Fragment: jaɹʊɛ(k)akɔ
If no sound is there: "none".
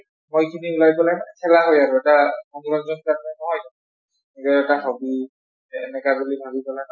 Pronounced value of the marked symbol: t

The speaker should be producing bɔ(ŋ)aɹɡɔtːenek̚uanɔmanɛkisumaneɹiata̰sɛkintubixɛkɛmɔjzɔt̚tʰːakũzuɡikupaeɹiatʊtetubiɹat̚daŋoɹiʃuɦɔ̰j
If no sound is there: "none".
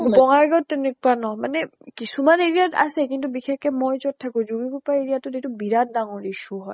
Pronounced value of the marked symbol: ŋ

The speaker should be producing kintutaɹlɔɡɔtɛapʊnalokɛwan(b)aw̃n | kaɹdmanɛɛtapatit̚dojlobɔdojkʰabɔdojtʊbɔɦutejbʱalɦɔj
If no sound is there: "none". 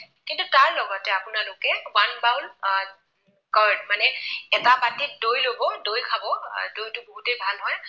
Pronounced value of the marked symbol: b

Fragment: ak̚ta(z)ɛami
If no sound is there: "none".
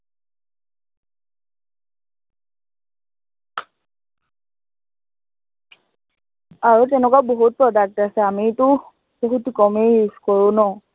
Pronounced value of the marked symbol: s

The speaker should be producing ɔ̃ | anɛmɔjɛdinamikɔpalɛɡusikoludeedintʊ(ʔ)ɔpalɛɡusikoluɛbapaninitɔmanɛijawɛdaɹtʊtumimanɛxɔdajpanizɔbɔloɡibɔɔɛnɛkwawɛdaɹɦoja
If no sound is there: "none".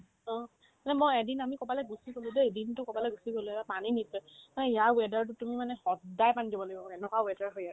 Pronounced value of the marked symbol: k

